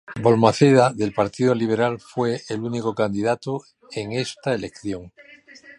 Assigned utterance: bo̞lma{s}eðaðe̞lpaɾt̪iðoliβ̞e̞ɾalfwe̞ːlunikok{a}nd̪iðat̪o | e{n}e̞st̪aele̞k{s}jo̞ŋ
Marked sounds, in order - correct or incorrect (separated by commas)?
incorrect, correct, incorrect, incorrect